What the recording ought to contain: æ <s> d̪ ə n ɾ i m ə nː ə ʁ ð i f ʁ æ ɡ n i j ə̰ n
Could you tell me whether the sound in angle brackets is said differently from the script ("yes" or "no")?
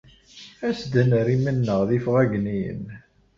no